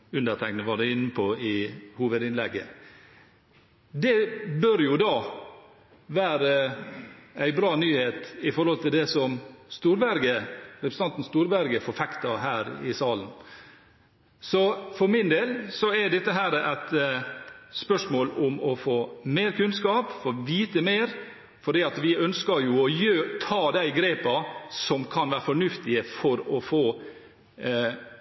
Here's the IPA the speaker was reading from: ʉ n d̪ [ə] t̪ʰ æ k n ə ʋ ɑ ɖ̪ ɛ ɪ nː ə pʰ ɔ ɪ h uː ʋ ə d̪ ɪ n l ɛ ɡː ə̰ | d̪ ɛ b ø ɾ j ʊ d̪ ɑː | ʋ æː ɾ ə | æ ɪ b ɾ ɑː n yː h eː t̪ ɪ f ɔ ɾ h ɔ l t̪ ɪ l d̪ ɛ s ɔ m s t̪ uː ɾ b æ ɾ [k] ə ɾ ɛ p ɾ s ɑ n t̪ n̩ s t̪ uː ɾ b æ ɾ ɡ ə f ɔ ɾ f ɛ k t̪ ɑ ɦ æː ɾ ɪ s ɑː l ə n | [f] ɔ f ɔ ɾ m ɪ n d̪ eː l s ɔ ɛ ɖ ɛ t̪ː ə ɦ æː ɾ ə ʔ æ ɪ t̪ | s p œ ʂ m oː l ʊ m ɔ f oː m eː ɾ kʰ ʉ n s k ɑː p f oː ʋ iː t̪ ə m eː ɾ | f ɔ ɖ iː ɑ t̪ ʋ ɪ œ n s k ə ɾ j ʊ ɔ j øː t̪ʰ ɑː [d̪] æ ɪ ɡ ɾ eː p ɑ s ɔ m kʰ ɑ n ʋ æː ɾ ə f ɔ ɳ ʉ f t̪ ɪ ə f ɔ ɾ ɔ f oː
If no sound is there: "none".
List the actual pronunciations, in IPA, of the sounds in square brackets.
ə, ɡ, s, d̪

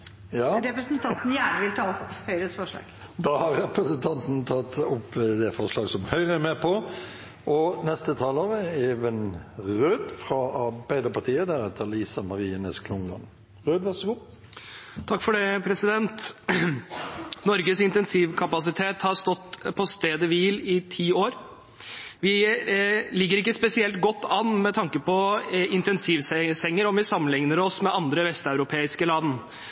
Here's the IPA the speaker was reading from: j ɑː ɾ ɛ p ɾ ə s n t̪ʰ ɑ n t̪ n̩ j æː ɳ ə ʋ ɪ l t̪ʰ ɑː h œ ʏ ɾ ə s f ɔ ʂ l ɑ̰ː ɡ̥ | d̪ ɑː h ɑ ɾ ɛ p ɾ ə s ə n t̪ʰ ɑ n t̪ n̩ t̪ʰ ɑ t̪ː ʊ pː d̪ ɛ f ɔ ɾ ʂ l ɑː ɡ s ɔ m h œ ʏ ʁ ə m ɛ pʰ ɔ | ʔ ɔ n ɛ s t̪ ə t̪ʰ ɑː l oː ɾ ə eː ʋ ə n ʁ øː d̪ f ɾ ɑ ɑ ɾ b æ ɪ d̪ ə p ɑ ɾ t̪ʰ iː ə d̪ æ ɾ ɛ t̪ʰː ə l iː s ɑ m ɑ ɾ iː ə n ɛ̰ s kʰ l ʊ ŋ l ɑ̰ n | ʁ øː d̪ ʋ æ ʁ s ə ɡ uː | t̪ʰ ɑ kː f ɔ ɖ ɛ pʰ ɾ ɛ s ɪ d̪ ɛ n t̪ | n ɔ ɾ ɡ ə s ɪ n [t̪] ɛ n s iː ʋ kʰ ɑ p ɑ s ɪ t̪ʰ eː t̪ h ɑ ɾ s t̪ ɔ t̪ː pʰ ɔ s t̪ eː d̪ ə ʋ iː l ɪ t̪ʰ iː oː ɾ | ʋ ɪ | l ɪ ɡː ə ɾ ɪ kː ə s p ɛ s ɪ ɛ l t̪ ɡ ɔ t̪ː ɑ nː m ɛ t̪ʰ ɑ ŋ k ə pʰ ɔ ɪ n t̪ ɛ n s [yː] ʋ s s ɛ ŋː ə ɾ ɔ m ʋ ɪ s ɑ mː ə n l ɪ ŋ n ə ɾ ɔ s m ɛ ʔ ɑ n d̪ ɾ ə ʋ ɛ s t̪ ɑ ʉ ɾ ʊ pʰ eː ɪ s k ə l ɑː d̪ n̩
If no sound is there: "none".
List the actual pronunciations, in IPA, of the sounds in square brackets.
t̪, iː

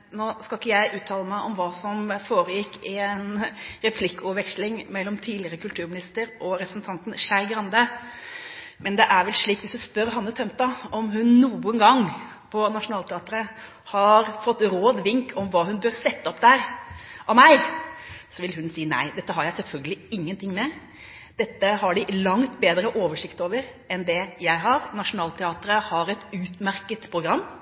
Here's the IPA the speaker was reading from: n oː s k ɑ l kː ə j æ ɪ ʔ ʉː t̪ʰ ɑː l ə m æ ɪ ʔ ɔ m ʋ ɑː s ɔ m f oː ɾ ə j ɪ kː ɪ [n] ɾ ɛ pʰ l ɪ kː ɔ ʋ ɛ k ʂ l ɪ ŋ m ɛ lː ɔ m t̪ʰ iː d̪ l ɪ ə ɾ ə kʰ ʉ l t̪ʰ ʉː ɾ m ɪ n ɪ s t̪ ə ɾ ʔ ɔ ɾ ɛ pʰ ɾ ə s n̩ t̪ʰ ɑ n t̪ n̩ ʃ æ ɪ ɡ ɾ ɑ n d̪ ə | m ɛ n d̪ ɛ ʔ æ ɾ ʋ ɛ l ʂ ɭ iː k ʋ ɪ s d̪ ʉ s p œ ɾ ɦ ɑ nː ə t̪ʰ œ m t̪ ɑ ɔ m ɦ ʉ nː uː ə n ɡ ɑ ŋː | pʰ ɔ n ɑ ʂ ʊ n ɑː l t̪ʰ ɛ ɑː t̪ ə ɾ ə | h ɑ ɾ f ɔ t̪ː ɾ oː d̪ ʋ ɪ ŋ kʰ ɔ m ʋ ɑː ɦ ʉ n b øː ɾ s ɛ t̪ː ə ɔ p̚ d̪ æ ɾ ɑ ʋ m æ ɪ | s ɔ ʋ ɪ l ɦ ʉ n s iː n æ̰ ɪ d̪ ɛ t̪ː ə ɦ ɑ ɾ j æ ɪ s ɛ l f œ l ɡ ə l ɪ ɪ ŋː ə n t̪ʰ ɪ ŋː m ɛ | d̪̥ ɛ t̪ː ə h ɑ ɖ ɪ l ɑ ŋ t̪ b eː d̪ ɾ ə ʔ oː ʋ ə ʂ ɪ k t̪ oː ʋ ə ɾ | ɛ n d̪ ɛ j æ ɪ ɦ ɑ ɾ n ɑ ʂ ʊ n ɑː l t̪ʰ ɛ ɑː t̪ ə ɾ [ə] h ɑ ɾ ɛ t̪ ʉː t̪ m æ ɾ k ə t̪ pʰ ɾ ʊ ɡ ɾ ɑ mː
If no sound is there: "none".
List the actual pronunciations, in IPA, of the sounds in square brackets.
n, ə

